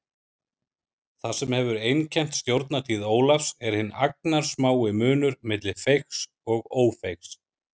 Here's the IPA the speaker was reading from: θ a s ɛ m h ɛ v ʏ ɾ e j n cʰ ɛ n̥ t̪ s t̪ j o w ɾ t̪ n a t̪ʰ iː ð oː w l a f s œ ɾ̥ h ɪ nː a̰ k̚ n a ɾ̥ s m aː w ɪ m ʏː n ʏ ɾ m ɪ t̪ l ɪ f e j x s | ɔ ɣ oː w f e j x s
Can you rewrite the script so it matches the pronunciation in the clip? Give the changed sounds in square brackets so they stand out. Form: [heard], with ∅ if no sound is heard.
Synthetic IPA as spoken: θ a s ɛ m h ɛ v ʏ ɾ e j n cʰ ɛ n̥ t̪ s t̪ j o w ɾ t̪ n a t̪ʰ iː ð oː w l a f s [ɛ] ɾ̥ h ɪ nː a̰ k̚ n a ɾ̥ s m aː w ɪ m ʏː n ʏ ɾ m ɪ t̪ l ɪ f e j x s | ɔ ɣ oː w f e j x s

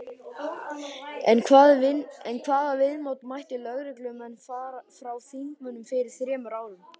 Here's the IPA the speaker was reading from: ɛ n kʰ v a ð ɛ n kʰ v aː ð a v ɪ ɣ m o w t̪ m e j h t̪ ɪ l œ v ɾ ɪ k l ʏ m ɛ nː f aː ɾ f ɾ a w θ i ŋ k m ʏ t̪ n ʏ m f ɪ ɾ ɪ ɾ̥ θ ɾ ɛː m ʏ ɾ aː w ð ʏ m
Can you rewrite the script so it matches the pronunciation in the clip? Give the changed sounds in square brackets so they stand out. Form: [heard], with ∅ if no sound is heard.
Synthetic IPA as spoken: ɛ n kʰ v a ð ɛ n kʰ v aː ð a v ɪ [ð] m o w t̪ m [a] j h t̪ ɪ l œ [ɣ] ɾ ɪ k l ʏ m ɛ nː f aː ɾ f ɾ a w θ i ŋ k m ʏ [∅] n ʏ m f ɪ ɾ ɪ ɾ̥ θ ɾ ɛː m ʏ ɾ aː w ð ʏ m

